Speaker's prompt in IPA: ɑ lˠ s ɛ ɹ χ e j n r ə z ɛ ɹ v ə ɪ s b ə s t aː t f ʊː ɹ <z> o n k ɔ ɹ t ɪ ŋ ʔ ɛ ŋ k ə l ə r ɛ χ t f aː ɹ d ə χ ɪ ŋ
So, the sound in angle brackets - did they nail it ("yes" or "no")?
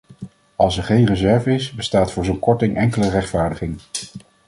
yes